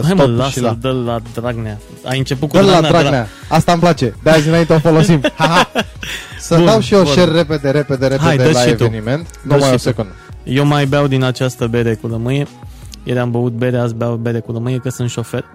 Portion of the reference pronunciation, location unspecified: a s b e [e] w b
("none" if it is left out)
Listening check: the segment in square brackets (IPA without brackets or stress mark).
a